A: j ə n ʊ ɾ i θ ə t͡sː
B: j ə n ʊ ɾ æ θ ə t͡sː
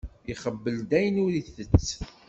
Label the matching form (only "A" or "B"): A